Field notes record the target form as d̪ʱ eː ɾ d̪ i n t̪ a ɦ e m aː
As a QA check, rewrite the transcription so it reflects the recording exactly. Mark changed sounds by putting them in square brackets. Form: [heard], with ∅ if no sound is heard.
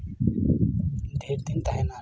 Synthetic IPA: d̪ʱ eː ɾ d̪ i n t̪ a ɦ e [n] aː

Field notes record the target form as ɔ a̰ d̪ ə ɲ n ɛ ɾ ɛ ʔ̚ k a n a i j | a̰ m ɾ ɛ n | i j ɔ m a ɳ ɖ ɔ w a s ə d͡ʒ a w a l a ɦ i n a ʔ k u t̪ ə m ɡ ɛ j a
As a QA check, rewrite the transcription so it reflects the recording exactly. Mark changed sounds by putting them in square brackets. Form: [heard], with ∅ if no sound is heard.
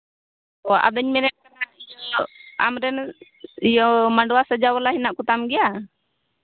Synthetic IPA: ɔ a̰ d̪ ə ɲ [m] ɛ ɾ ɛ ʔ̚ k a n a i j | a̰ m ɾ ɛ n | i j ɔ m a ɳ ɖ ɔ w a s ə d͡ʒ a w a l a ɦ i n a ʔ k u t̪ [a] m ɡ ɛ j a

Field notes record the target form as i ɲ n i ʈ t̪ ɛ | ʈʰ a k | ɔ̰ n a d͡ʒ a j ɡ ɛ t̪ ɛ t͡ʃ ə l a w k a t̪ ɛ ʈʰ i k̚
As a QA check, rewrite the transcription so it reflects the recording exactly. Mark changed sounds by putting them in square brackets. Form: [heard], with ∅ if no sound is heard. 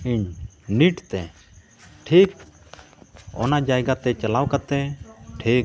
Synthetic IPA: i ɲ n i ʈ t̪ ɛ | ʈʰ [i] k | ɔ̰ n a d͡ʒ a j ɡ [a] t̪ ɛ t͡ʃ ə l a w k a t̪ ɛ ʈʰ i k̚

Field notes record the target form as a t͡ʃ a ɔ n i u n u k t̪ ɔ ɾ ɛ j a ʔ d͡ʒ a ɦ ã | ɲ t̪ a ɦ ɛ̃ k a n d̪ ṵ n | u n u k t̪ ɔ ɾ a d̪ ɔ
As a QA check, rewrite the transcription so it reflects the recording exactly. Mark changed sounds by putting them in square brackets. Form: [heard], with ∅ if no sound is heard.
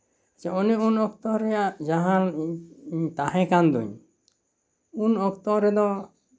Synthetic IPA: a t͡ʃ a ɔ n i u n [ɔ] k t̪ ɔ ɾ ɛ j a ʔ d͡ʒ a ɦ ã | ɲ t̪ a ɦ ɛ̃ k a n d̪ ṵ [ɲ] | u n [ɔ] k t̪ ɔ ɾ [ɛ] d̪ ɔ

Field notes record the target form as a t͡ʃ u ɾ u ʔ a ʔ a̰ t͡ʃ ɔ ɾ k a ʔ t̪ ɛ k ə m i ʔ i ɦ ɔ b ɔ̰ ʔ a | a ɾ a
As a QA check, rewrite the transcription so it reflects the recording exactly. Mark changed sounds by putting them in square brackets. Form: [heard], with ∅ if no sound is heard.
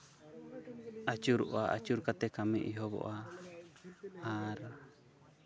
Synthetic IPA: a t͡ʃ u ɾ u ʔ a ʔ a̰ t͡ʃ [u] ɾ k a [∅] t̪ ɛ k [a] m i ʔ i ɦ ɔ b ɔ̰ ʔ a | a ɾ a

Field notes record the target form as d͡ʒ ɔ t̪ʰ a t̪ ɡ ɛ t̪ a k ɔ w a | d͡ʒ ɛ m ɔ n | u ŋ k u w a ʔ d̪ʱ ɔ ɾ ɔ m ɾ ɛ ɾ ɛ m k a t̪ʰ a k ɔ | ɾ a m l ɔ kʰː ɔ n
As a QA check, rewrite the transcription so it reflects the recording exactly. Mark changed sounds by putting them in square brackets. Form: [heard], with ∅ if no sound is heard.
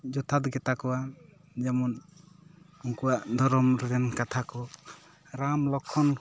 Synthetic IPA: d͡ʒ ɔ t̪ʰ a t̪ ɡ ɛ t̪ a k ɔ w a | d͡ʒ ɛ m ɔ n | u ŋ k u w a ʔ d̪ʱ ɔ ɾ ɔ m ɾ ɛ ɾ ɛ [n] k a t̪ʰ a k ɔ | ɾ a m l ɔ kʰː ɔ n

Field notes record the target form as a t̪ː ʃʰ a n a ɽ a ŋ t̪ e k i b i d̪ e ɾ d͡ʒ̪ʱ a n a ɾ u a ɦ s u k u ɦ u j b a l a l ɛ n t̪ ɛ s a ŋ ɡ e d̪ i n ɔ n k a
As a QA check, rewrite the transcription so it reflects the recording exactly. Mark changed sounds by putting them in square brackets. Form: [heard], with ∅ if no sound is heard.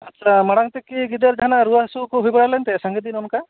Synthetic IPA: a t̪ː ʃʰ a [m] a ɽ a ŋ t̪ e k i [ɡ] i d̪ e ɾ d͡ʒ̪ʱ a n a ɾ u a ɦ s u k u ɦ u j b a [ɽ] a l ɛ n t̪ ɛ s a ŋ ɡ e d̪ i n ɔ n k a

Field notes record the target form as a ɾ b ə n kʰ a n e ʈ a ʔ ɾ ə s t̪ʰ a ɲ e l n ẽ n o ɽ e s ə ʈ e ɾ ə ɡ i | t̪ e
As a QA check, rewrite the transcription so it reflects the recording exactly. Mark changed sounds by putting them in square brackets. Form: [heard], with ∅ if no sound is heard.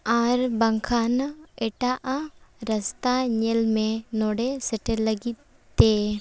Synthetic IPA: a ɾ b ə [ŋ] kʰ a n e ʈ a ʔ ɾ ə s [t̪] a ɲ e l [m] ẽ n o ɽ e s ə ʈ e [l] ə ɡ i | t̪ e

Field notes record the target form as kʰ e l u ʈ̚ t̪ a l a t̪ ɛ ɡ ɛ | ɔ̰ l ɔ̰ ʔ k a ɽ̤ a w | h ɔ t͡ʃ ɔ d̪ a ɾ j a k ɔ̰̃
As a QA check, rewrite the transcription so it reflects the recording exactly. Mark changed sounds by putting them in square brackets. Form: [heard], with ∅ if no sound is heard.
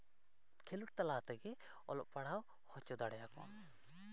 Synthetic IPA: kʰ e l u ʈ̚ t̪ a l a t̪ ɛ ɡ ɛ | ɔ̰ l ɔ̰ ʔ [p] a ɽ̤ a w | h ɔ t͡ʃ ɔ d̪ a [ɽ] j a k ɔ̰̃

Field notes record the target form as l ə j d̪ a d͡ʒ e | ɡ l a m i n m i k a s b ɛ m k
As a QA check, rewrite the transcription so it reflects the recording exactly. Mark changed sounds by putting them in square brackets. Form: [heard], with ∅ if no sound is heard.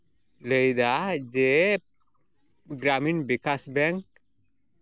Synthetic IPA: l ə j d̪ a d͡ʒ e | ɡ [ɾ] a m i n [b] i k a s b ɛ [ŋ] k

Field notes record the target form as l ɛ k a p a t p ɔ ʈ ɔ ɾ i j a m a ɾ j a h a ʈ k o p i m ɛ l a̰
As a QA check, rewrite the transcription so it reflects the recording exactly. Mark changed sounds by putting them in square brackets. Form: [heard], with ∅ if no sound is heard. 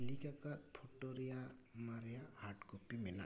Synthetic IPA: l [i] k a [k] a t [pʰ] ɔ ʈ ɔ ɾ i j a m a ɾ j a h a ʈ k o p i m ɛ l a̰

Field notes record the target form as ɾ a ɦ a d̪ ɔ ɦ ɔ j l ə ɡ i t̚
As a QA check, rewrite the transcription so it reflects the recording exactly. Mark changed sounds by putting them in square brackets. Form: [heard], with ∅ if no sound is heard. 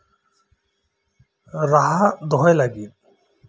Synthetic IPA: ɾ a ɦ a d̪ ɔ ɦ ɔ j l [a] ɡ i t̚

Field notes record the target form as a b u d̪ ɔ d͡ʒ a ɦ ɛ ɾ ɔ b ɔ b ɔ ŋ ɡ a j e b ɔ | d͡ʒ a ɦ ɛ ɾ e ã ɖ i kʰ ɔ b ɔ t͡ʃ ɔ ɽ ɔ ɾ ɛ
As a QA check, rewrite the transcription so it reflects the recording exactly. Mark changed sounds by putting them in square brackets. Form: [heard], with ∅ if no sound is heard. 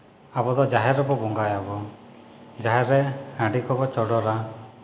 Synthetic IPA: a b [ɔ] d̪ ɔ d͡ʒ a ɦ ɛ ɾ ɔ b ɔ b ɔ ŋ ɡ a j [a] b ɔ | d͡ʒ a ɦ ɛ ɾ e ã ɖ i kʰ ɔ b ɔ t͡ʃ ɔ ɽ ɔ ɾ [a]

